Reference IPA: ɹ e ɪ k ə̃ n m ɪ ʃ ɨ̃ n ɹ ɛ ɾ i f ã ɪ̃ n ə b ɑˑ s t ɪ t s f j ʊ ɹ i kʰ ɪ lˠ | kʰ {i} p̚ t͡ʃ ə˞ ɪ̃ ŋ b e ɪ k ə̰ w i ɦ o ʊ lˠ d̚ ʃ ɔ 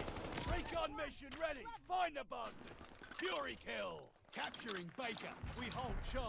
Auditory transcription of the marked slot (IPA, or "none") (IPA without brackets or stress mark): æ